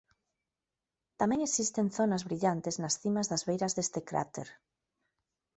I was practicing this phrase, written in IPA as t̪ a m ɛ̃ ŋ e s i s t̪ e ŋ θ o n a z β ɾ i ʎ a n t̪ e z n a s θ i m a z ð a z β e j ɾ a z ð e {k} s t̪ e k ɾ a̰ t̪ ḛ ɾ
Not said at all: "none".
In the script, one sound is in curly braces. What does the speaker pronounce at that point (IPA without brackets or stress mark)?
none